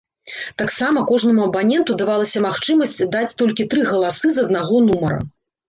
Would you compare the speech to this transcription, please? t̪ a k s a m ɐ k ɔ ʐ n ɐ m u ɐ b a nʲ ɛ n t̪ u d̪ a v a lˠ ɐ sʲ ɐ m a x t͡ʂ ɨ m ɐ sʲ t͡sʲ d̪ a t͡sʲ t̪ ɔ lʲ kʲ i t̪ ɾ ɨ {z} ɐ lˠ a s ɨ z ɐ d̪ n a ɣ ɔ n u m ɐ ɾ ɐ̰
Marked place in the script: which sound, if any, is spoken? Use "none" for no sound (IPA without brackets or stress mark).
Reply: ɣ